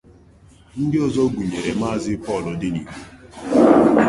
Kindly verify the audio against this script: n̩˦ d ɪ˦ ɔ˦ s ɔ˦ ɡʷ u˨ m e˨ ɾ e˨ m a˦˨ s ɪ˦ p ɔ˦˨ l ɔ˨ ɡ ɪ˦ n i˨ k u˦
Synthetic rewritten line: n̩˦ d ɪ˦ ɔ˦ z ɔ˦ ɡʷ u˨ ɲ e˨ ɾ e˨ m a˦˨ z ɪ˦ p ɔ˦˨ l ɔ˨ d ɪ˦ n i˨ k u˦